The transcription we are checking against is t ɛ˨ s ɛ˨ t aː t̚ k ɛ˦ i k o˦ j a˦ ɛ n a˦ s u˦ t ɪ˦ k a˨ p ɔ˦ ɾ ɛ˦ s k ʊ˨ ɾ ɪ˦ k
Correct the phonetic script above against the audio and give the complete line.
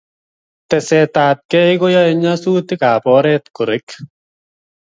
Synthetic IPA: t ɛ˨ s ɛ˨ t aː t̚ k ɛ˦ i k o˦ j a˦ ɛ ɲ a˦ s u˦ t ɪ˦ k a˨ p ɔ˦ ɾ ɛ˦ t k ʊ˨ ɾ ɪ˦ k